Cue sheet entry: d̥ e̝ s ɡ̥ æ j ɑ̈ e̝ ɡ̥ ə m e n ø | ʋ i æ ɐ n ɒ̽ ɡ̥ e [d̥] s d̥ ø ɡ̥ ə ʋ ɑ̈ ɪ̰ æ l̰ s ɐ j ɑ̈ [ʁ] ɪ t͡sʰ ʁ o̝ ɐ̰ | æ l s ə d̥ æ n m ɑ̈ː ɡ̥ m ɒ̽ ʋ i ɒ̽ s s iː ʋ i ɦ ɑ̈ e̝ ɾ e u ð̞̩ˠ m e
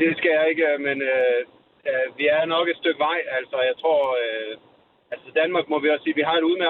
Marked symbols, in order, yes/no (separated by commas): yes, no